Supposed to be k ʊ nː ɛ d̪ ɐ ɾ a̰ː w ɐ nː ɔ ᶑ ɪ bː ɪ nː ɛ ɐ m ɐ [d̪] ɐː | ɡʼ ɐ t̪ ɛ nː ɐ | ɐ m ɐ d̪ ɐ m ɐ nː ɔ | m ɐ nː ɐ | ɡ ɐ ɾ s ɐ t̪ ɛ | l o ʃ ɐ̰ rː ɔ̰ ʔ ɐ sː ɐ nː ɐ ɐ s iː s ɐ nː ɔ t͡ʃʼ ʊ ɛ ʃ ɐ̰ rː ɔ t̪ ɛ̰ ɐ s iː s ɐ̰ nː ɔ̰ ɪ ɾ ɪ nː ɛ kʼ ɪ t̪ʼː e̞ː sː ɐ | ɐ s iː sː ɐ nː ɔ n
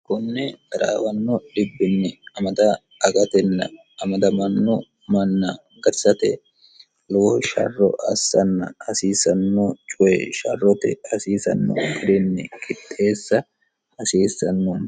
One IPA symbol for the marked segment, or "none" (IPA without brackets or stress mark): d̪